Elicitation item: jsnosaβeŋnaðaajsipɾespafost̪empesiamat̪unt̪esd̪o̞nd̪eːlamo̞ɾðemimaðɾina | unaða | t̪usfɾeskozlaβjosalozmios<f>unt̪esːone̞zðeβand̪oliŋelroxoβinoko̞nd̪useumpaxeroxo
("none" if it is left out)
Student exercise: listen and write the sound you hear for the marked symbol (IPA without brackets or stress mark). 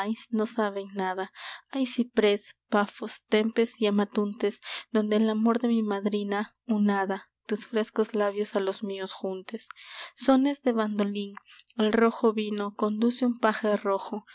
x